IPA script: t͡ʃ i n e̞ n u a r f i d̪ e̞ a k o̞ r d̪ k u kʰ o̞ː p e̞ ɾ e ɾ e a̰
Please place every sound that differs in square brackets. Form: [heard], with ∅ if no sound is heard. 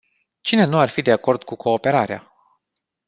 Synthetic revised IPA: t͡ʃ i n e̞ n u a r f i d̪ e̞ a k o̞ r d̪ k u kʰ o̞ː p e̞ ɾ [a] ɾ e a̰

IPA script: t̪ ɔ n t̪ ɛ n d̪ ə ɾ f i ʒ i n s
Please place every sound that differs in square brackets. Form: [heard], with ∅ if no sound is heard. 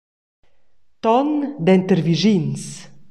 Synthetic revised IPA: t̪ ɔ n [d̪] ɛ n [t̪] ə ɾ [v] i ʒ i n s

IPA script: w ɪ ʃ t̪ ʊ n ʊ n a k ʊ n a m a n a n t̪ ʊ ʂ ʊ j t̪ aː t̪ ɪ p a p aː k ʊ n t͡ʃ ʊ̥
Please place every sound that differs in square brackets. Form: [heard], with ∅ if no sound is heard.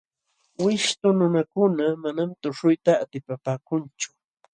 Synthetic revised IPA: w ɪ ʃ t̪ ʊ n ʊ n a k ʊ n a m a n a [m] t̪ ʊ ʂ ʊ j t̪ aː t̪ ɪ p a p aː k ʊ n t͡ʃ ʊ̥

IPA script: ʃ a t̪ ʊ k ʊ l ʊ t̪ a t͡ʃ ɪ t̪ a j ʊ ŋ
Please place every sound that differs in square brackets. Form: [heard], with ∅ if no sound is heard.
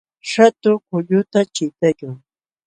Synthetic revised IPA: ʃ a t̪ ʊ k ʊ [ʎ] ʊ t̪ a t͡ʃ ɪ t̪ a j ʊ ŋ

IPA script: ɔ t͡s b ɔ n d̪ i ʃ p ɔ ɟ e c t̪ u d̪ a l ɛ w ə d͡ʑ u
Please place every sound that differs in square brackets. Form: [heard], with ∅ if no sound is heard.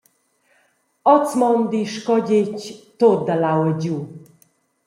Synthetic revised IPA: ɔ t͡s [m] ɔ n d̪ i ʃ [k] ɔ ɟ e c t̪ [o] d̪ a l [a] w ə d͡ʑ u

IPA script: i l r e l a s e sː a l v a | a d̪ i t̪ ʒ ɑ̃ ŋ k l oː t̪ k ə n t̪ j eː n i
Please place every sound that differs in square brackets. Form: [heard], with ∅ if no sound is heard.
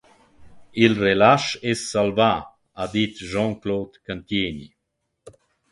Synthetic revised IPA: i l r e l a [ʃ] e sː a l v a | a d̪ i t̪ ʒ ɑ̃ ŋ k l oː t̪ k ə n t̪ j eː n i

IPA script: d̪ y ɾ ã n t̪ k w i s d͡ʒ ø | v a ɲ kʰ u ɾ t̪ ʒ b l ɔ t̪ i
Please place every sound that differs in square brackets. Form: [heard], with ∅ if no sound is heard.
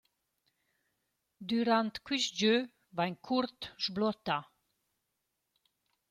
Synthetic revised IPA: d̪ y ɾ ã n t̪ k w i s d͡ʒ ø | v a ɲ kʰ u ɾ t̪ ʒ b l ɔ t̪ [a]

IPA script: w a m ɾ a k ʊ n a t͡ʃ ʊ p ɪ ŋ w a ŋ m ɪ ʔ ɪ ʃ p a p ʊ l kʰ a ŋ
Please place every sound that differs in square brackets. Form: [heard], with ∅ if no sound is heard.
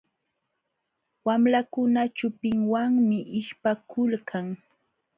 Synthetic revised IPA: w a m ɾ a k ʊ n a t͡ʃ ʊ p ɪ ŋ w a ŋ m ɪ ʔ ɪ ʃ p a [k] ʊ l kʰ a ŋ

